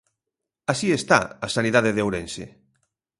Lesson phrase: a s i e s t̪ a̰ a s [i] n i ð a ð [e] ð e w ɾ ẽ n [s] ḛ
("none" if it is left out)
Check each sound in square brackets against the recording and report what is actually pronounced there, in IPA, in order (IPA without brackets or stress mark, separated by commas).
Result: a, e, s